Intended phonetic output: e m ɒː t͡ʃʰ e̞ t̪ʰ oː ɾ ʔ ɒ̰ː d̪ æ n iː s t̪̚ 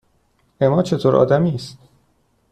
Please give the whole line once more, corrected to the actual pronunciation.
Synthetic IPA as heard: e m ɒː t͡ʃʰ e̞ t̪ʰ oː ɾ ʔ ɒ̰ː d̪ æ m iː s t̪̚